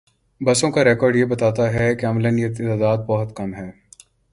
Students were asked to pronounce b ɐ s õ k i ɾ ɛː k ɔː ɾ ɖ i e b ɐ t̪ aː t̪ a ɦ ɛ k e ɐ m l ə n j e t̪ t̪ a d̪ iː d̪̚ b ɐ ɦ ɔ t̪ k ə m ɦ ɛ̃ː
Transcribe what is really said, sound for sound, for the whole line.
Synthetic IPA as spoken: b ɐ s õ k a ɾ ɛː k ɔː ɾ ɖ j e b ɐ t̪ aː t̪ a ɦ ɛ k e ɐ m l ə n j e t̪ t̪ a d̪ aː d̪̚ b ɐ ɦ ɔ t̪ k ɐ m ɦ ɛː